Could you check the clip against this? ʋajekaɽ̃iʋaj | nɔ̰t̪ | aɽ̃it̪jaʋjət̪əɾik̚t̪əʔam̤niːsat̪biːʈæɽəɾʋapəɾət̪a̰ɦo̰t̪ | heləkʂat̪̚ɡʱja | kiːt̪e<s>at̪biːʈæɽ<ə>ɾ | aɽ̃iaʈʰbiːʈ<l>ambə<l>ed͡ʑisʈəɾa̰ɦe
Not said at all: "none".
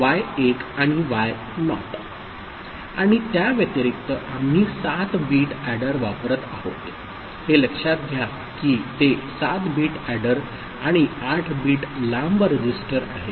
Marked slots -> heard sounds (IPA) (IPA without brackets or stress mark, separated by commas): s, ə, l, ɾ